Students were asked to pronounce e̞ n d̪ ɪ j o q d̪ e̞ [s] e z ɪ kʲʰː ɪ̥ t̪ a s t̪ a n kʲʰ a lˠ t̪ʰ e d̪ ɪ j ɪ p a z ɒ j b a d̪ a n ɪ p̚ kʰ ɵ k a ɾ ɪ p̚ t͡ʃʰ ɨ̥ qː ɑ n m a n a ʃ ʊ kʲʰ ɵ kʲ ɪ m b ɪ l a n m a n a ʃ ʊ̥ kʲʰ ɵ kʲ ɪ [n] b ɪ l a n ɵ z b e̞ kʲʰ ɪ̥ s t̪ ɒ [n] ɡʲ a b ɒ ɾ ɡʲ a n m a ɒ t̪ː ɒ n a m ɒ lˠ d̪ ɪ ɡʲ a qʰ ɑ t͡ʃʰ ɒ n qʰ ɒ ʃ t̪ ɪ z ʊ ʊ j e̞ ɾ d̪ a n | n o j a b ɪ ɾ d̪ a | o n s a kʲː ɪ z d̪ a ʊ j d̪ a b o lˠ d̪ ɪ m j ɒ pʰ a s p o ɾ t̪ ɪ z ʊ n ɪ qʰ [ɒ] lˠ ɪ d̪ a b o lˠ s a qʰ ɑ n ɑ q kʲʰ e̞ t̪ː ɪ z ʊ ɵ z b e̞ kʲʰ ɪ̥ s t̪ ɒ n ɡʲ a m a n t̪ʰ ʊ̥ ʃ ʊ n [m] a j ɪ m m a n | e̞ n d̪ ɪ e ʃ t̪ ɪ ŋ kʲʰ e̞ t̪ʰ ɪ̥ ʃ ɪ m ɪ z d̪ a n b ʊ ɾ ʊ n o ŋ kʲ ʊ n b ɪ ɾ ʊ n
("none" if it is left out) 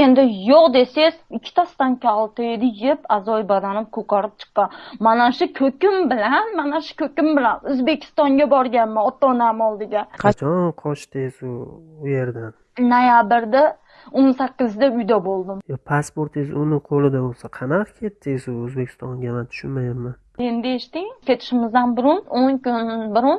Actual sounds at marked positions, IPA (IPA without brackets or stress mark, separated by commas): s, m, ŋ, o, m